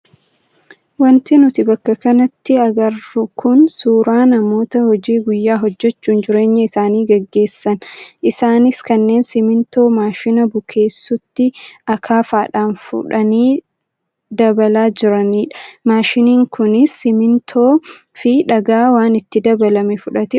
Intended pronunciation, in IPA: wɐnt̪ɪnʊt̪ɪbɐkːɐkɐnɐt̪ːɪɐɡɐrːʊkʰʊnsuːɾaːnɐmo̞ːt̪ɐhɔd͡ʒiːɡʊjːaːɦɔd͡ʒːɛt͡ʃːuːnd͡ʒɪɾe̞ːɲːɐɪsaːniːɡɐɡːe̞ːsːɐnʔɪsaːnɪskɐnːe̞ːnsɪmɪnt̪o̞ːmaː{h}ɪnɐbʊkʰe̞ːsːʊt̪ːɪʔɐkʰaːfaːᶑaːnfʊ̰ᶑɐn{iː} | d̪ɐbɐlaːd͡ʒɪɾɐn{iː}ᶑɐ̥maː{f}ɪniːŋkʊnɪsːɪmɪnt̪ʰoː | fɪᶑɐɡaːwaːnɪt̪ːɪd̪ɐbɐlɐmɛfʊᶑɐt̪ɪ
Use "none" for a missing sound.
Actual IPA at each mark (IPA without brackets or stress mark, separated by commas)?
ʃ, iː, iː, ʃ